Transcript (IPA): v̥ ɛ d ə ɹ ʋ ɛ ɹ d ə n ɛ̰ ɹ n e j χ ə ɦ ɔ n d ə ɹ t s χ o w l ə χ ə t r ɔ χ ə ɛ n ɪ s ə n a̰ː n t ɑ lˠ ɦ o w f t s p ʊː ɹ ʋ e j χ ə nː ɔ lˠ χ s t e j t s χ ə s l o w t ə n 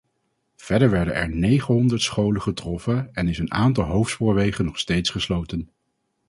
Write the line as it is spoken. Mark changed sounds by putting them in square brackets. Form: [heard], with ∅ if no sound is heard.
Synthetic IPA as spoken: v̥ ɛ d ə ɹ ʋ ɛ ɹ d ə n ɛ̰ ɹ n e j χ ə ɦ ɔ n d ə ɹ t s χ o w l ə χ ə t r ɔ [f] ə ɛ n ɪ s ə n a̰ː n t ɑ lˠ ɦ o w f t s p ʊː ɹ ʋ e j χ ə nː ɔ [∅] χ s t e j t s χ ə s l o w t ə n